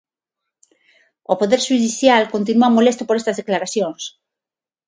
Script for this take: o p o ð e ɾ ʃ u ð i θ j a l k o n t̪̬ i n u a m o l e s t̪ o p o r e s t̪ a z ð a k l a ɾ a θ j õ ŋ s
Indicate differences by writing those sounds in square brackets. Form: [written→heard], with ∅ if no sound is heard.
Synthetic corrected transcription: o p o ð e ɾ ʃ u ð i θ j a l k o n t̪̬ i n u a m o l e s t̪ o p o [r→ɾ] e s t̪ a z ð [a→e] k l a ɾ a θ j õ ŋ s